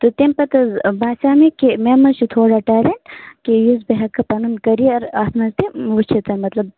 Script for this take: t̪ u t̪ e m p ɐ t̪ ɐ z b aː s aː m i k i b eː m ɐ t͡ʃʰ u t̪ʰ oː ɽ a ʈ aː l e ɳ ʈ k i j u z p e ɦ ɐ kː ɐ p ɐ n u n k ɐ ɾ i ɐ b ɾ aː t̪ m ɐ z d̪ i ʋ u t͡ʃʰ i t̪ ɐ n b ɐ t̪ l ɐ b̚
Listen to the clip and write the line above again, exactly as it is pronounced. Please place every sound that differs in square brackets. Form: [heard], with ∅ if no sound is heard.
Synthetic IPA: t̪ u t̪ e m p ɐ t̪ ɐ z b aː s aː m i k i [m] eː m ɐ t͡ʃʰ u t̪ʰ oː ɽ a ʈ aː l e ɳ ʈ k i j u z [b] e ɦ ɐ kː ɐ p ɐ n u n k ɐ ɾ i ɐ [∅] ɾ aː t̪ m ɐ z [t̪] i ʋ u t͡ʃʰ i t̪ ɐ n [m] ɐ t̪ l ɐ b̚